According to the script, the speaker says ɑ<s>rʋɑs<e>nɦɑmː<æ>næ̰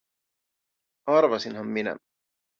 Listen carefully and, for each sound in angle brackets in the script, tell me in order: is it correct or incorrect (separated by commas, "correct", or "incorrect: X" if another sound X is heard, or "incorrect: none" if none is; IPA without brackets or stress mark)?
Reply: incorrect: none, incorrect: i, incorrect: i